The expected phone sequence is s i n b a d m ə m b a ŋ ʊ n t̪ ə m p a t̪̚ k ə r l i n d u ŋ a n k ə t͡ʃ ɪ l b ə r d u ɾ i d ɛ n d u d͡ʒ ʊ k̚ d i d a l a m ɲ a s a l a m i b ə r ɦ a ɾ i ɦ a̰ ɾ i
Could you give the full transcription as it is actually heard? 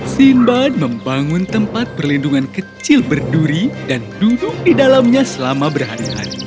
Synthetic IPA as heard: s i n b a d m ə m b a ŋ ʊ n t̪ ə m p a t̪̚ p ə r l i n d u ŋ a n k ə t͡ʃ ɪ l b ə r d u ɾ i d a n d u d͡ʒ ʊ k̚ d i d a l a m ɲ a s ə l a m a b ə r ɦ a ɾ i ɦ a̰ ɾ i